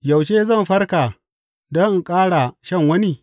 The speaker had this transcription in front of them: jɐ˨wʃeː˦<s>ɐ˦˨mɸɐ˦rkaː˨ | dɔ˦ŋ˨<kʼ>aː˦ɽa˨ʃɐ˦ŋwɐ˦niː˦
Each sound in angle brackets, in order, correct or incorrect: incorrect, correct

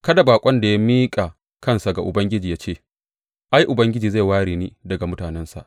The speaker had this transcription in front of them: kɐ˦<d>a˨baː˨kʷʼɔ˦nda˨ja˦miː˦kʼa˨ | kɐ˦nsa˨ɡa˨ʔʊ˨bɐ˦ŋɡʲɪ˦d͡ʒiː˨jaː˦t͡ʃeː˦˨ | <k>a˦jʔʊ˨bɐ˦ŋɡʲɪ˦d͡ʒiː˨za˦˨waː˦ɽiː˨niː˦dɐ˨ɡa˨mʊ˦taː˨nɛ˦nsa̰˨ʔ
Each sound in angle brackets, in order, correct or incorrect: correct, incorrect

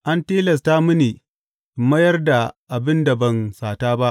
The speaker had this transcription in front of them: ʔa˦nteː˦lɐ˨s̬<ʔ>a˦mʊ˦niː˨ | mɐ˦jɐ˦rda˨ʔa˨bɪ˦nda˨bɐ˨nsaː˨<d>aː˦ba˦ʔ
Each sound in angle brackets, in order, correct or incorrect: incorrect, incorrect

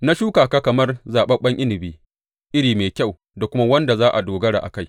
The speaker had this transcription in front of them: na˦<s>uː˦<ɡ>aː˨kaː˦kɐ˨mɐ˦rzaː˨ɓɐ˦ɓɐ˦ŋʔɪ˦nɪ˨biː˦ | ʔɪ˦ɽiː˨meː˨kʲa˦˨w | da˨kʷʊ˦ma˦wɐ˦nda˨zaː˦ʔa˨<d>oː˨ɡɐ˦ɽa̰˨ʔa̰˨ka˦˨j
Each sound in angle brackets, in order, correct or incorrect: incorrect, incorrect, correct

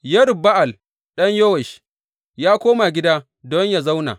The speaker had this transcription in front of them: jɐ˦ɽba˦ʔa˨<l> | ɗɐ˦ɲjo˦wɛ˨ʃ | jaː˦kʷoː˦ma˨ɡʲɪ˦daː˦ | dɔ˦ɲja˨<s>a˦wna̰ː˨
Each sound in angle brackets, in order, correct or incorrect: correct, incorrect

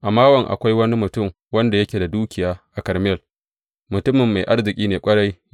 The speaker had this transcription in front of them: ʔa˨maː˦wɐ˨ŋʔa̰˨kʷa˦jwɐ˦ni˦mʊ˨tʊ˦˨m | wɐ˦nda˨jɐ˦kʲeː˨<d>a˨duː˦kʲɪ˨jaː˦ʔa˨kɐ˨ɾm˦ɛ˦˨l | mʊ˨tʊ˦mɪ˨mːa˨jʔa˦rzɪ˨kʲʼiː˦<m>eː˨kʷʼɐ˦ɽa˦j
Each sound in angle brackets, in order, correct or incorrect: correct, incorrect

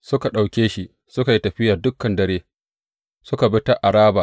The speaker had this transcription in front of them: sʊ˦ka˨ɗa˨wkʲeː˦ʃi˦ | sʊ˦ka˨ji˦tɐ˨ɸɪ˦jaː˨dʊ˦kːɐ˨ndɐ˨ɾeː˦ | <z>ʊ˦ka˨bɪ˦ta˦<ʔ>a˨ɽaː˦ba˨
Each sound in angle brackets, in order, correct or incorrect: incorrect, correct

